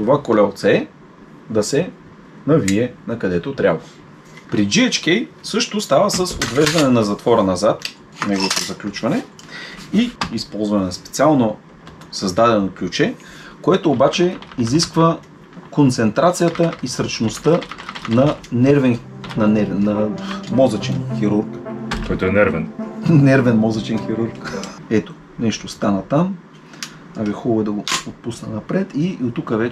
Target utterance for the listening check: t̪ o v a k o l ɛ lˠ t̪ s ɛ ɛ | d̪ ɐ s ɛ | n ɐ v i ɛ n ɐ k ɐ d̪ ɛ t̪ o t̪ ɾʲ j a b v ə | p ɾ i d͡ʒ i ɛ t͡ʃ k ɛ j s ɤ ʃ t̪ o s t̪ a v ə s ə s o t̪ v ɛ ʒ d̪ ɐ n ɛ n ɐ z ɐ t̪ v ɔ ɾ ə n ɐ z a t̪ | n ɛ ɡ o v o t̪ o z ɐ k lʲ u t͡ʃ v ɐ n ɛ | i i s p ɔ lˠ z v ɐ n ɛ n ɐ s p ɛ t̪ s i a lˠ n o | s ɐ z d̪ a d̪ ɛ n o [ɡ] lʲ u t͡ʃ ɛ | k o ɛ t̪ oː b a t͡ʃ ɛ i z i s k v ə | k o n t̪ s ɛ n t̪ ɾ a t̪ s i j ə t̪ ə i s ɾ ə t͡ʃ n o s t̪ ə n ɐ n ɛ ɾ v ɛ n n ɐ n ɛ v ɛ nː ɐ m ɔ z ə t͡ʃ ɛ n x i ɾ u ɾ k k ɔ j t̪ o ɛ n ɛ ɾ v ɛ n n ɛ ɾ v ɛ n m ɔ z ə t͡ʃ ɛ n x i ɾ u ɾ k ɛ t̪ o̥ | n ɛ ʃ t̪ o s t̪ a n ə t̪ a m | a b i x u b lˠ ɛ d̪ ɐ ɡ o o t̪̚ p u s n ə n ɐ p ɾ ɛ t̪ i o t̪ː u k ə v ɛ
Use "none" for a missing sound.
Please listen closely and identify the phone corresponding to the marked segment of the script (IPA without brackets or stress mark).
k